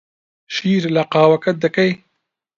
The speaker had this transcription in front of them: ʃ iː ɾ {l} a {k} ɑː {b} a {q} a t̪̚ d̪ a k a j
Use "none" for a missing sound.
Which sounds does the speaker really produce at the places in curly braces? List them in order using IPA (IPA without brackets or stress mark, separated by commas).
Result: l, q, w, k